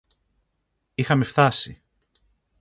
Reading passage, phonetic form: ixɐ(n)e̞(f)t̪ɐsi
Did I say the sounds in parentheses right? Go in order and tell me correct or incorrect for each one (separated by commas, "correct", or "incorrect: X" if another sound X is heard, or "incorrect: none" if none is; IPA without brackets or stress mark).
incorrect: m, correct